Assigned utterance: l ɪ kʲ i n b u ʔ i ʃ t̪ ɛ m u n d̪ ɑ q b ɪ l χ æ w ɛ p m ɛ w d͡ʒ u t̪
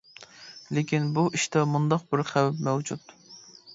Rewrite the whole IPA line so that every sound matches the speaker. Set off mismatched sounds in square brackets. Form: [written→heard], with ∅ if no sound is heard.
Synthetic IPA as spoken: l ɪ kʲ i n b u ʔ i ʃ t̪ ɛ m u n d̪ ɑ q b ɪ [l→ɾ] χ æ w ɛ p m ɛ w d͡ʒ u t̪